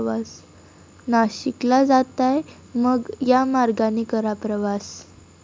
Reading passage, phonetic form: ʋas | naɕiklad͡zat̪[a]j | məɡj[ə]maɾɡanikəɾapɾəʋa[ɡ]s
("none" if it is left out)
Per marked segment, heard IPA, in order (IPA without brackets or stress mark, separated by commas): a, a, none